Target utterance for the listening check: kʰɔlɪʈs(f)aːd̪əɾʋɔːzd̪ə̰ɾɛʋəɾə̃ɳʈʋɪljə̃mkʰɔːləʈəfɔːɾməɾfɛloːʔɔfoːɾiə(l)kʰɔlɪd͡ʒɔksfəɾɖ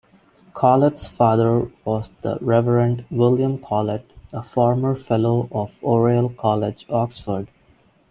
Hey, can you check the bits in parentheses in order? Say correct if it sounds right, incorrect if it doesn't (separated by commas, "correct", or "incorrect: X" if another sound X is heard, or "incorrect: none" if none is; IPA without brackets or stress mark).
correct, correct